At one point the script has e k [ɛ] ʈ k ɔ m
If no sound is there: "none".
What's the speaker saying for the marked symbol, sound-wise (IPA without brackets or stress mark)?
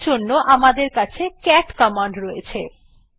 ɛ